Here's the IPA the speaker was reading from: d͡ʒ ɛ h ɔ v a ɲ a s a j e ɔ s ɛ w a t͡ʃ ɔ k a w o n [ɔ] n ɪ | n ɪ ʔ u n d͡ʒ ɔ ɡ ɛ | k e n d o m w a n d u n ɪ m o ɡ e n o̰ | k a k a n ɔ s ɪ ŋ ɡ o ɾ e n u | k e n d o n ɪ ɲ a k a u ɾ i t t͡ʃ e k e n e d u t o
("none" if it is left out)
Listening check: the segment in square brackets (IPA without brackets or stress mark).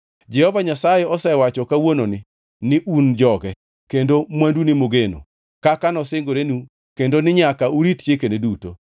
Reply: o